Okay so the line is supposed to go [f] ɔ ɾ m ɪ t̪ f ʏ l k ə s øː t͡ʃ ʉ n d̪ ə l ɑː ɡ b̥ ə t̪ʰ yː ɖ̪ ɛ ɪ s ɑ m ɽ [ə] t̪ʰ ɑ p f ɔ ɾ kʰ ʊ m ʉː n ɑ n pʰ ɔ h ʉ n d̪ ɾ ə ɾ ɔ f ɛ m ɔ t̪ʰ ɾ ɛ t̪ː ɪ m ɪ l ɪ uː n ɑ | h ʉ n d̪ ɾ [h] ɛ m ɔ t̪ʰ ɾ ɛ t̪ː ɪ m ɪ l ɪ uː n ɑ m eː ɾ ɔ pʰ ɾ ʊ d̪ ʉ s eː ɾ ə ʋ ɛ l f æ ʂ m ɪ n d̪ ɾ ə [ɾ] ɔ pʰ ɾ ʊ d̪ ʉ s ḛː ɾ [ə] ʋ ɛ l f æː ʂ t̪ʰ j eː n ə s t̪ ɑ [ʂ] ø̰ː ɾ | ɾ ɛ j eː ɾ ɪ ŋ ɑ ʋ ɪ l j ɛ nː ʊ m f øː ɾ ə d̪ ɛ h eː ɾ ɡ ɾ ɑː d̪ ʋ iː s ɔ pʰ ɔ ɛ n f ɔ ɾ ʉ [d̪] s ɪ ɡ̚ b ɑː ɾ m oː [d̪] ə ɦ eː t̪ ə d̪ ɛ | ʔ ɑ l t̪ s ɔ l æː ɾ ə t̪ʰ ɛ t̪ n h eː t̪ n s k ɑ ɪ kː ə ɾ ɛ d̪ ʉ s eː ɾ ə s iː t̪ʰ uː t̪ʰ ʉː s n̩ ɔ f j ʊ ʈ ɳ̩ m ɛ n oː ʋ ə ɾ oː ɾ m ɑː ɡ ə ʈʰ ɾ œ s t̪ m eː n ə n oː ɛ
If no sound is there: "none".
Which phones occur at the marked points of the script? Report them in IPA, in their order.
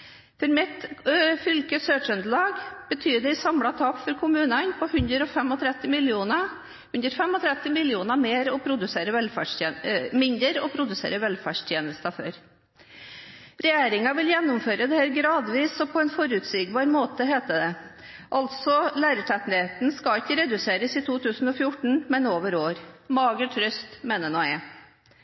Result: f, ɑ, f, ɾ, ə, f, t̪, t̪

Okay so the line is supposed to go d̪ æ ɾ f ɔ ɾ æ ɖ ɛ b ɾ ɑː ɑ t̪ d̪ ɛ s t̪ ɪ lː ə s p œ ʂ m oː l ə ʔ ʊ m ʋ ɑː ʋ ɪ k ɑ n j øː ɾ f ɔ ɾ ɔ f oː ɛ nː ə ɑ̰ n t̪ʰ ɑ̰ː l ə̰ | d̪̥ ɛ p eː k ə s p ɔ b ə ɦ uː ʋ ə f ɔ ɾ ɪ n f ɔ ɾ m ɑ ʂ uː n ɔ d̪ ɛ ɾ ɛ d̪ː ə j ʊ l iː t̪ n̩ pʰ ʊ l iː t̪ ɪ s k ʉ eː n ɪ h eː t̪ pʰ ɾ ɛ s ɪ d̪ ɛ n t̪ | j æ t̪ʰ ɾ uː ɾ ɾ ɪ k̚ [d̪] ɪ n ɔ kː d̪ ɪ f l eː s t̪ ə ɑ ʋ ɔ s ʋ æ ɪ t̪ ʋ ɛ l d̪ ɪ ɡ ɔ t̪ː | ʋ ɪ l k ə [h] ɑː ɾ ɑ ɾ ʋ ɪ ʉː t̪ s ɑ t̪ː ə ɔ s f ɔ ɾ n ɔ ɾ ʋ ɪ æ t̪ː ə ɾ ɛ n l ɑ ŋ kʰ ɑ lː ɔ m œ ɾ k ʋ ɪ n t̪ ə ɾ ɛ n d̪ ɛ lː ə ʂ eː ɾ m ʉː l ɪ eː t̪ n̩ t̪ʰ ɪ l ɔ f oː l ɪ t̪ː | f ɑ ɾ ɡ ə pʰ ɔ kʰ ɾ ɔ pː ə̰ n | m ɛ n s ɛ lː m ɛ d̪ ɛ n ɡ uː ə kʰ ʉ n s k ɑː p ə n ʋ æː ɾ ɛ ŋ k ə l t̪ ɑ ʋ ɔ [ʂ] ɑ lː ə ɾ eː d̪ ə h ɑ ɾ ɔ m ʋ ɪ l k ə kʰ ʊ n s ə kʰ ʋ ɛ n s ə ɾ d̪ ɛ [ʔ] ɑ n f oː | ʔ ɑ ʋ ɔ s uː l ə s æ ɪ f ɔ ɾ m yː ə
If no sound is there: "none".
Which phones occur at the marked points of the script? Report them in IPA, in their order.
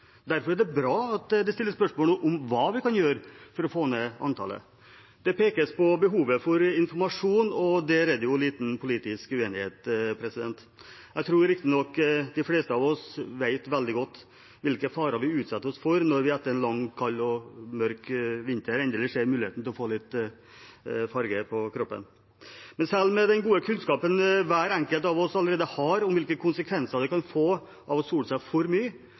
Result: t̪, f, s, k

